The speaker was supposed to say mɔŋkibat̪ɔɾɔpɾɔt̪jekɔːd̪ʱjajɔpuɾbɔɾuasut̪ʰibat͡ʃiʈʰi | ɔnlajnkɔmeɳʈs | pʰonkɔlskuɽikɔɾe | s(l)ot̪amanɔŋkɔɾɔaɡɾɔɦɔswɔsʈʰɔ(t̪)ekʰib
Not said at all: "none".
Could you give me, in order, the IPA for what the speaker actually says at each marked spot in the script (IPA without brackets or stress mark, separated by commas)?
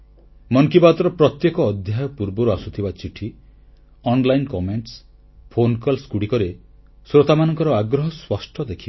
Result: ɾ, d̪